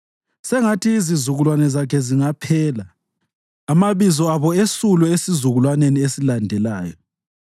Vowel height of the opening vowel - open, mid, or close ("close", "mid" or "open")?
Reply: mid